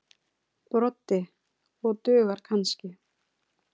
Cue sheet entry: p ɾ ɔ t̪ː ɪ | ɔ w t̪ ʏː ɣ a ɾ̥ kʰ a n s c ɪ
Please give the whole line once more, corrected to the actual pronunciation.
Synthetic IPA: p ɾ ɔ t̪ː ɪ | ɔ ɣ t̪ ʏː ɣ a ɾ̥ kʰ a n s c ɪ